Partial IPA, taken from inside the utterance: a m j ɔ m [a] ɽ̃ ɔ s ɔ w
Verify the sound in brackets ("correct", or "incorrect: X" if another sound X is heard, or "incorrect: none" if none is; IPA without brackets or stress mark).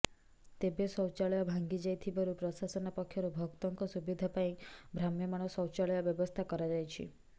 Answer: correct